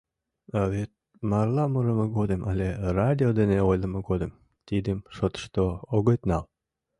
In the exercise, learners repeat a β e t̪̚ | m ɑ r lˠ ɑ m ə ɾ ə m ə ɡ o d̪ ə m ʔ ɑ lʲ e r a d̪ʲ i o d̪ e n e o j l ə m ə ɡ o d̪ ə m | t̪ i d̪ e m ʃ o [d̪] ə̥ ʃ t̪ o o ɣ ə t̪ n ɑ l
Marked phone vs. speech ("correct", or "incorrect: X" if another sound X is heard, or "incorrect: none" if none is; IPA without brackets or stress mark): incorrect: t̪